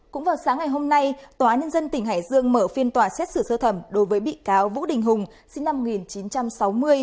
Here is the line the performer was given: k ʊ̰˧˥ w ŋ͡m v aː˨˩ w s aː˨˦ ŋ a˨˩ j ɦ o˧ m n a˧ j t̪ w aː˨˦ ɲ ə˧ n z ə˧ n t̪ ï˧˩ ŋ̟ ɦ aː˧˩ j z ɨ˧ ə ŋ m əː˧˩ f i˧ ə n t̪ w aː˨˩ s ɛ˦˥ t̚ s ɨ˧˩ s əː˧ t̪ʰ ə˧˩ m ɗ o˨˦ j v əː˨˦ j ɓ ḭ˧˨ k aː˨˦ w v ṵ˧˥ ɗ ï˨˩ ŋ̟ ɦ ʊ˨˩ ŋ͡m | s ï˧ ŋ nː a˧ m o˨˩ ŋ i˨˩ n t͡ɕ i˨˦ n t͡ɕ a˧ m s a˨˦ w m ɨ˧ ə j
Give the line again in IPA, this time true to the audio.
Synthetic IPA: k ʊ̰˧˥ ŋ͡m v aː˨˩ w s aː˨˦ ŋ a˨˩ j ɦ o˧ m n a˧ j t̪ w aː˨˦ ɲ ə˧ n z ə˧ n t̪ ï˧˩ ŋ̟ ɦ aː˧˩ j z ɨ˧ ə ŋ m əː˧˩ f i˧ ə n t̪ w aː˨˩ s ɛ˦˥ t̚ s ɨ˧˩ s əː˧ t̪ʰ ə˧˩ m ɗ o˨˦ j v əː˨˦ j ɓ ḭ˧˨ k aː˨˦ w v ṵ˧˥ ɗ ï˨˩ ŋ̟ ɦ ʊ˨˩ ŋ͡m | s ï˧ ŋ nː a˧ m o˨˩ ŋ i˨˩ n t͡ɕ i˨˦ n t͡ɕ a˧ m s a˨˦ w m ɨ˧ ə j